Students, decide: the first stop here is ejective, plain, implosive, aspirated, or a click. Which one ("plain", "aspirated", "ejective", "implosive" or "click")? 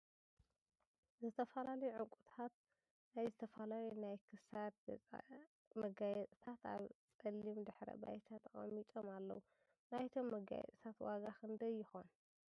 aspirated